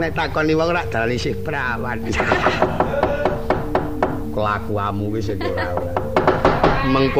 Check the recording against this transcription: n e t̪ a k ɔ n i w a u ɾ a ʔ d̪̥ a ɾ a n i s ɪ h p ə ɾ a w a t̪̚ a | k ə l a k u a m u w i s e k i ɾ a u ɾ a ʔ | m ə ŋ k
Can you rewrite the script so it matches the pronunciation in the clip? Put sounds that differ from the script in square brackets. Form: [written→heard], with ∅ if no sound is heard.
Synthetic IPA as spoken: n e t̪ a k ɔ n i w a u ɾ a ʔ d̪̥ a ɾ a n i s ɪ h p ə ɾ a w a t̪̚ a | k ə l a k u a m u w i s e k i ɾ a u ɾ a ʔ | m ə ŋ k